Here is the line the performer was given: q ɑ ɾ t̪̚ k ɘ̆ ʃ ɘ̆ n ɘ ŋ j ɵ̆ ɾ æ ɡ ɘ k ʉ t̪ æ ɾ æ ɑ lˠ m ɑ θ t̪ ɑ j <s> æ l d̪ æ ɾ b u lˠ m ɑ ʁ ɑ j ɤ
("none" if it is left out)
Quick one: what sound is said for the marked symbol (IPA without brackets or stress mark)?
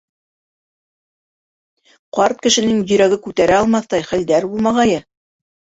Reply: χ